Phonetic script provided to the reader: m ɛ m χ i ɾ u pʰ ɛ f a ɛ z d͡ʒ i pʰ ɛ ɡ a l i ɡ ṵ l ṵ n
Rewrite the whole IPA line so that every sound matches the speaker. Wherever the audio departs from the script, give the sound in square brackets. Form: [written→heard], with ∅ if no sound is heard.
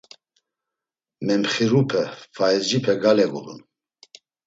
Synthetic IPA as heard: m ɛ m χ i ɾ u pʰ ɛ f a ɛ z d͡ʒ i pʰ ɛ ɡ a l [i→ɛ] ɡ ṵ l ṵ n